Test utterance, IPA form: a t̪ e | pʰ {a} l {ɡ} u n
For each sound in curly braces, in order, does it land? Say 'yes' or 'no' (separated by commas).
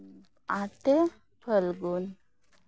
no, yes